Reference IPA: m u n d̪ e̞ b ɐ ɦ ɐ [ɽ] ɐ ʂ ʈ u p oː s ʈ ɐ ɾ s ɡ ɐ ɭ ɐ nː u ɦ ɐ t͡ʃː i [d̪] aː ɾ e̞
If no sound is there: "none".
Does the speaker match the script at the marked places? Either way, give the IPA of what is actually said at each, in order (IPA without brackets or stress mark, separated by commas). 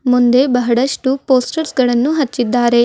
ɽ, d̪ː